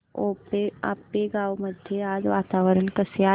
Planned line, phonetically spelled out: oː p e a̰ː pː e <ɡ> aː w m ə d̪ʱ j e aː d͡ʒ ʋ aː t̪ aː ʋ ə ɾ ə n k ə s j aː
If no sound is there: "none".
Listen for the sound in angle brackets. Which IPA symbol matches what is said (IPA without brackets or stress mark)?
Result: ɡ